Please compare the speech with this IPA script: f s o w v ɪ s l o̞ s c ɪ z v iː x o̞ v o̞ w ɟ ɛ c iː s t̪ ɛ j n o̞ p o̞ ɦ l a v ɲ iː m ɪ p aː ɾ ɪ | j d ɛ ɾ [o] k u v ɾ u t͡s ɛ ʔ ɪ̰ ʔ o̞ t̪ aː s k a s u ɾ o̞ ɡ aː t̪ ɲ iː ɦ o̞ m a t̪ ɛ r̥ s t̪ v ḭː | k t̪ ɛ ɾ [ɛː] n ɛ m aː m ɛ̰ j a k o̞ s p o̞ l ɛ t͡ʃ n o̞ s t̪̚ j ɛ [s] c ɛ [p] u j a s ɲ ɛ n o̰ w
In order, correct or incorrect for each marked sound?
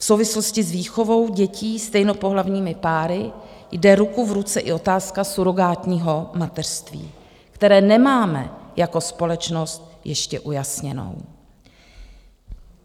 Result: incorrect, correct, incorrect, incorrect

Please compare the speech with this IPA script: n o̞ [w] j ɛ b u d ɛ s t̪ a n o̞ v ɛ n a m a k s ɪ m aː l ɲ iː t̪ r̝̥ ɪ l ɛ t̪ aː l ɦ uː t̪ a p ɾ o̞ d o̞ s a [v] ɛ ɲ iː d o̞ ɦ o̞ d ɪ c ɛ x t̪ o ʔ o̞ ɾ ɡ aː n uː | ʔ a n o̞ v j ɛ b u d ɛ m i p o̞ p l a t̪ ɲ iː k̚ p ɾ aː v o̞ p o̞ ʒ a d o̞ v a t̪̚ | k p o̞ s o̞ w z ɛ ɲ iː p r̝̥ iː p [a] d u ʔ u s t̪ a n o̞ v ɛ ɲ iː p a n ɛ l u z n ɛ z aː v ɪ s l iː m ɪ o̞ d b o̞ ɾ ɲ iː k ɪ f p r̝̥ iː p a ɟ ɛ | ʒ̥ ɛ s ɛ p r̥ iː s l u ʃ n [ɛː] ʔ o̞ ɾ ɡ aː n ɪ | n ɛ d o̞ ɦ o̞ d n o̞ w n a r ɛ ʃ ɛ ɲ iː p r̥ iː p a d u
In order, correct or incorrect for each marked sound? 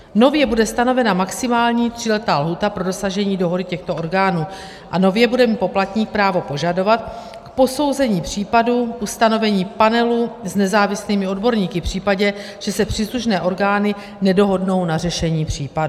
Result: incorrect, incorrect, correct, correct

